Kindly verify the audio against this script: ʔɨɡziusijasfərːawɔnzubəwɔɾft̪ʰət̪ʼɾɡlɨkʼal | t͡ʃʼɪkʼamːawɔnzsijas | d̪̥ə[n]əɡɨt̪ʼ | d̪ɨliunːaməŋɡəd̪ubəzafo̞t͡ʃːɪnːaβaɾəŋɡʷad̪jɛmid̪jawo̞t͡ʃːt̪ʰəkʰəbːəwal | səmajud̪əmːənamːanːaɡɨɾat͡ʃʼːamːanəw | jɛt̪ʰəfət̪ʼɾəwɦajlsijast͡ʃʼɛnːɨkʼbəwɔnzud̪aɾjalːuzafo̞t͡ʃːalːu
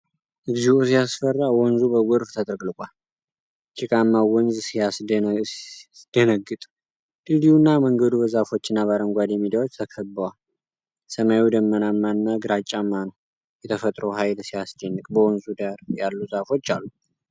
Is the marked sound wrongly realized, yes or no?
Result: no